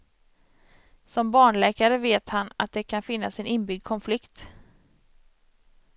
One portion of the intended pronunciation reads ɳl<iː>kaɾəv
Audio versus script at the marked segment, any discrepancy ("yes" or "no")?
yes